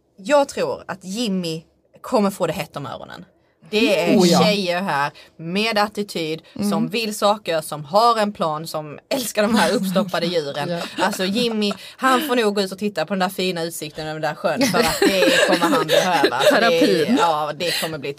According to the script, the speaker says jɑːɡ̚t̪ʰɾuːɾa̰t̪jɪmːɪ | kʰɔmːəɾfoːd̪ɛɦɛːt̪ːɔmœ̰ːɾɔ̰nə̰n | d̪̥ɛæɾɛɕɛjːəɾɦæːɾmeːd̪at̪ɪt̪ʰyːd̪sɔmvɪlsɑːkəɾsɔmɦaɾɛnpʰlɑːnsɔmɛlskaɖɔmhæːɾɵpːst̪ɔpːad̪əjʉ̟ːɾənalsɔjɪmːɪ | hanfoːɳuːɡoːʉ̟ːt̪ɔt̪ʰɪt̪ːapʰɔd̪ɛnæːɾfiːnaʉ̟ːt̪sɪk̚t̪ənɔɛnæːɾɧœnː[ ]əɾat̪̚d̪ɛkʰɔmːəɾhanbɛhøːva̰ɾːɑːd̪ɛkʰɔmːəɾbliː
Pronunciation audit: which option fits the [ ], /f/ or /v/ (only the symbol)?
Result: f